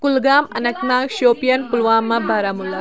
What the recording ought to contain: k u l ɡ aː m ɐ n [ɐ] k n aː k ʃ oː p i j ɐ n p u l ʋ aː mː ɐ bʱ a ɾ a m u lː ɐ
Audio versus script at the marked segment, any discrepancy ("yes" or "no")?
no